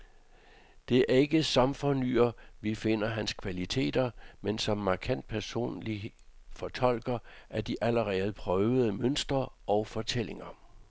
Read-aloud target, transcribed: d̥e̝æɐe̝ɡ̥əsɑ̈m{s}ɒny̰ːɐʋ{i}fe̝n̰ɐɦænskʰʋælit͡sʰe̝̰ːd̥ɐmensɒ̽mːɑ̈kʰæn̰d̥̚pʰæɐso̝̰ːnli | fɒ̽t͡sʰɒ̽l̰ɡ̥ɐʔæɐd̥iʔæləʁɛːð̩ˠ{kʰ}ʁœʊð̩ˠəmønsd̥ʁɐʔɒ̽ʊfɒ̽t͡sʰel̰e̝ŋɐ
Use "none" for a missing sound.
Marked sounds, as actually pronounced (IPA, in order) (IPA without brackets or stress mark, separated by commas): f, i, pʰ